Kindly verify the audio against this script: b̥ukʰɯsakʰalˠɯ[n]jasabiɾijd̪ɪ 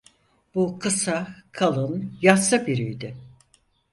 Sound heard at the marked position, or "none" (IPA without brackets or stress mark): n